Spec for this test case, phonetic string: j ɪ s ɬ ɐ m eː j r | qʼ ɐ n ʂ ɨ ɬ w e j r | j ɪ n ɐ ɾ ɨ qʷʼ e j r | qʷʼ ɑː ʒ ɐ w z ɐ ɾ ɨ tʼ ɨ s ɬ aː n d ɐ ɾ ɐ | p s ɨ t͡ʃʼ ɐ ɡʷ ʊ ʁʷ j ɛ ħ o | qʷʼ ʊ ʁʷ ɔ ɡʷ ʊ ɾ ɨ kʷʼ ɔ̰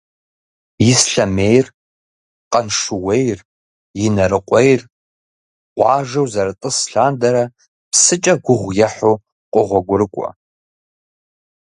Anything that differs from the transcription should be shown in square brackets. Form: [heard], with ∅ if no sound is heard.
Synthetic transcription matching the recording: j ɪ s ɬ ɐ m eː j r | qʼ ɐ n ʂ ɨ [∅] w e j r | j ɪ n ɐ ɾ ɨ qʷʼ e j r | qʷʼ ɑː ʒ ɐ w z ɐ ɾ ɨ tʼ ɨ s ɬ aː n d ɐ ɾ ɐ | p s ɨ t͡ʃʼ ɐ ɡʷ ʊ ʁʷ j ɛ ħ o | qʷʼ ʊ ʁʷ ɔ ɡʷ ʊ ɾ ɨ kʷʼ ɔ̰